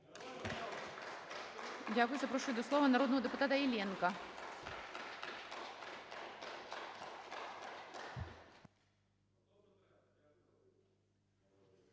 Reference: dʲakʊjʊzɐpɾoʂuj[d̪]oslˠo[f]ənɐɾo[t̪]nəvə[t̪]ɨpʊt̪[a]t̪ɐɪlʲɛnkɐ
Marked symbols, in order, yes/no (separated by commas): yes, no, no, no, yes